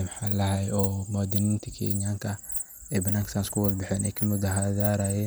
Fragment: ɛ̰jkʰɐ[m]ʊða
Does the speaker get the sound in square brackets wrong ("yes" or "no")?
no